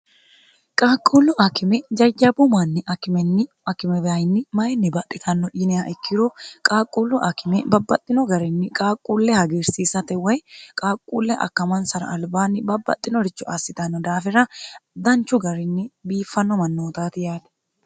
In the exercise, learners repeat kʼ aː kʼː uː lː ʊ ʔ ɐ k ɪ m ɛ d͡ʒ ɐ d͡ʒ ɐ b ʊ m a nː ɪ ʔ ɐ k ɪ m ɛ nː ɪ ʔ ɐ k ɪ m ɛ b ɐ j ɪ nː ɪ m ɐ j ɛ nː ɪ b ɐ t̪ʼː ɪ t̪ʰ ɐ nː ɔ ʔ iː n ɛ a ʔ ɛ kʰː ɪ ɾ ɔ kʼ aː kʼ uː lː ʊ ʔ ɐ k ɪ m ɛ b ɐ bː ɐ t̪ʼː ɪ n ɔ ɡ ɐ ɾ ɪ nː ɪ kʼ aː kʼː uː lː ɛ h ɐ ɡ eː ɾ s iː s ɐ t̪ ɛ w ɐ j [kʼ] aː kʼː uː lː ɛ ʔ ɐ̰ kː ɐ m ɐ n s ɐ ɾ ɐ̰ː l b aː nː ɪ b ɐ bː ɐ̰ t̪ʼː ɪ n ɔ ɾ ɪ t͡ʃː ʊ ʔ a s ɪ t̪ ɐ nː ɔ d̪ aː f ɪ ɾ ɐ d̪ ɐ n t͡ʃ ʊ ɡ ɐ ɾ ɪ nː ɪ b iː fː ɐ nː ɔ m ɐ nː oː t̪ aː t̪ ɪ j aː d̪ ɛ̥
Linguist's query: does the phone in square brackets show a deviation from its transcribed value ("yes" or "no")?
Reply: no